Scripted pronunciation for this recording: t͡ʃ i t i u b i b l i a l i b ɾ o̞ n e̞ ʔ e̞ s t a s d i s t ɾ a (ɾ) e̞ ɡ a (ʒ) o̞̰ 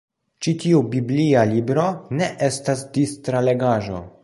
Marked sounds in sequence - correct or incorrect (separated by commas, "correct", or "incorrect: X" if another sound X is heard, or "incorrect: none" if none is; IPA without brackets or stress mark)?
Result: incorrect: l, correct